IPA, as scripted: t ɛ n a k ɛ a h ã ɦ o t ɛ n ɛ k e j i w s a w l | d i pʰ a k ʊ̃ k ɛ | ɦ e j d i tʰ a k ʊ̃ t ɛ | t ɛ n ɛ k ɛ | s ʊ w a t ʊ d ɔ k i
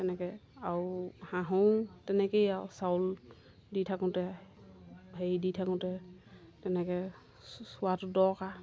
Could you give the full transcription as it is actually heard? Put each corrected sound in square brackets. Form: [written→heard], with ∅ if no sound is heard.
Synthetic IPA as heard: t ɛ n [a→ɛ] k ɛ a h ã ɦ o t ɛ n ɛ k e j [i→a] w s a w l | d i [pʰ→tʰ] a k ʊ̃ [k→t] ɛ | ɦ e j d i tʰ a k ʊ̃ t ɛ | t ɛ n ɛ k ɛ | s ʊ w a t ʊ d ɔ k [i→a]